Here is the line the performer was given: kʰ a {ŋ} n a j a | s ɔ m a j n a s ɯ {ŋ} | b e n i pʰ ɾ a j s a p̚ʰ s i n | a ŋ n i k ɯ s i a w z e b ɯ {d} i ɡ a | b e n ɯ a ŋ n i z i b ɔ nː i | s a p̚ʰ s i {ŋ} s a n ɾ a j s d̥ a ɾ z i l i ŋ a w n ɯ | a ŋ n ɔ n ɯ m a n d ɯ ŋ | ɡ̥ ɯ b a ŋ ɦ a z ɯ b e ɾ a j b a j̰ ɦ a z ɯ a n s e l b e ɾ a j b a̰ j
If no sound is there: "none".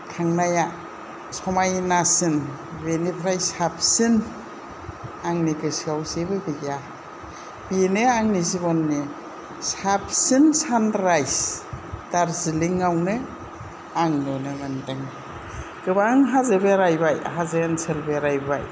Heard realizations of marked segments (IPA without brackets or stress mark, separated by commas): ŋ, n, b, n